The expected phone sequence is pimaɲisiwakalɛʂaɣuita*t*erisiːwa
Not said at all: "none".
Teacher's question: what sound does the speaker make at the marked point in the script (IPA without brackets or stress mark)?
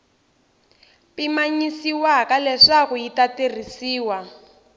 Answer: t